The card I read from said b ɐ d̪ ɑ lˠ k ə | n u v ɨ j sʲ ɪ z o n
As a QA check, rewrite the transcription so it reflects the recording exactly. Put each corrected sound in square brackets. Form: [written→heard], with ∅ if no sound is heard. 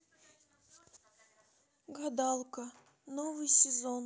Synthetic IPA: [b→ɡ] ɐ d̪ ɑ lˠ k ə | n [u→o] v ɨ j sʲ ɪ z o n